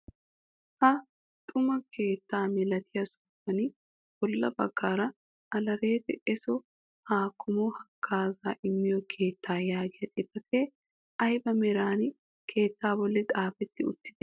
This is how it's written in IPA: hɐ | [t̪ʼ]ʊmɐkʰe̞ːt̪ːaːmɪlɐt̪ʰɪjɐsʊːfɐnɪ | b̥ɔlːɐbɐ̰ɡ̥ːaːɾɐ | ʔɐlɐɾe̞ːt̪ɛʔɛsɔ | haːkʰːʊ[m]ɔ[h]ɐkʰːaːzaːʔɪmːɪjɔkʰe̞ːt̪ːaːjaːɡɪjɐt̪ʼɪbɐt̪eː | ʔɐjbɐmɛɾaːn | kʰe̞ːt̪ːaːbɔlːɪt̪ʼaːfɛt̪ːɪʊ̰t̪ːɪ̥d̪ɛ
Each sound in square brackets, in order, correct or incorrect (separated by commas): correct, correct, correct